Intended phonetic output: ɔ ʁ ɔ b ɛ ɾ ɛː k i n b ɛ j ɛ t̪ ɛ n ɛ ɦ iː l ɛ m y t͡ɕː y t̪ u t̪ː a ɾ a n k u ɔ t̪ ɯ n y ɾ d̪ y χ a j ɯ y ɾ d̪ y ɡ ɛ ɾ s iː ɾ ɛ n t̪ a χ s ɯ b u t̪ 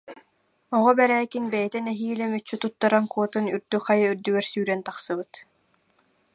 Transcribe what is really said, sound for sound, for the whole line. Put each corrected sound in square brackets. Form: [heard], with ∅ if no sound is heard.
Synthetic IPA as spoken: ɔ ʁ ɔ b ɛ ɾ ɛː k i n b ɛ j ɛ t̪ ɛ n ɛ ɦ iː l ɛ m y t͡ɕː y t̪ u t̪ː a ɾ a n k u ɔ t̪ ɯ n y ɾ d̪ y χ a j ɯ y ɾ d̪ y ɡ ɛ ɾ s [yː] ɾ ɛ n t̪ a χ s ɯ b [ɯ] t̪